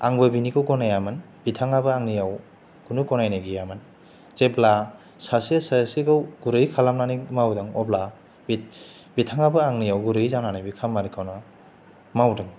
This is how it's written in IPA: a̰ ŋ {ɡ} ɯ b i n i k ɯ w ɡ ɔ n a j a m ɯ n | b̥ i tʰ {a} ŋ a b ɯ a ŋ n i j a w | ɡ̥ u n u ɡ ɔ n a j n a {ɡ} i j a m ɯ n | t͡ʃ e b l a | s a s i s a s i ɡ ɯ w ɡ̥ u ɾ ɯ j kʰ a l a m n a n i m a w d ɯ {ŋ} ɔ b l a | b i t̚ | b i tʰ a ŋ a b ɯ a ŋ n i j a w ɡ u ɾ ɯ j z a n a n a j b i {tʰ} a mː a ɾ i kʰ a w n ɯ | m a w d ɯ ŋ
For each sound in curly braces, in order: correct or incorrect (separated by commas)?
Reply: incorrect, correct, correct, correct, incorrect